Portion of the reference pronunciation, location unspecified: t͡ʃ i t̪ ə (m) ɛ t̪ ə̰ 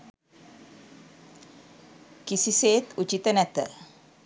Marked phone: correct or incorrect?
incorrect